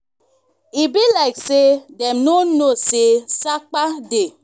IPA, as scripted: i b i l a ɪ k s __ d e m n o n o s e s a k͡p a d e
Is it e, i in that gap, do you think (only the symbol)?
e